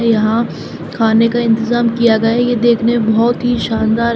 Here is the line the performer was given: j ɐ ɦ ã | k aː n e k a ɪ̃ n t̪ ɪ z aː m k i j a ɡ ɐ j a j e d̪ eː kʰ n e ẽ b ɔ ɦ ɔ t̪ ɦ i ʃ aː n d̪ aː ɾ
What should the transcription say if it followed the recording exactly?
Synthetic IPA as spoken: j ɐ ɦ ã | kʰ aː n e k a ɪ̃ n t̪ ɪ z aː m k i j a ɡ ɐ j a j e d̪ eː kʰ n e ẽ b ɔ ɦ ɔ t̪ ɦ i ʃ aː n d̪ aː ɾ